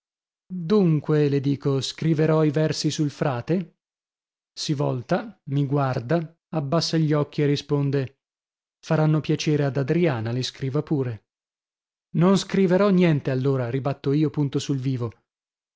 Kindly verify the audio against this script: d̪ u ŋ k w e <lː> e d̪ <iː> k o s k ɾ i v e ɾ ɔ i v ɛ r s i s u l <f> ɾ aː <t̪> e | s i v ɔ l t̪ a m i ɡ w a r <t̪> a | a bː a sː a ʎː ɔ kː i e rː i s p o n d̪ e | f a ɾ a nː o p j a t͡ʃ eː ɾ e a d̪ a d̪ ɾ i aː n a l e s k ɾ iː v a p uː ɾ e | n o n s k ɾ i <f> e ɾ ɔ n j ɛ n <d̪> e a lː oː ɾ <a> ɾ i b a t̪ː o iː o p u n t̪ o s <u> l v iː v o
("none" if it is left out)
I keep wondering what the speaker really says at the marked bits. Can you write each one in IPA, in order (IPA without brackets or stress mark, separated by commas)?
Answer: l, iː, f, t̪, d̪, v, t̪, a, u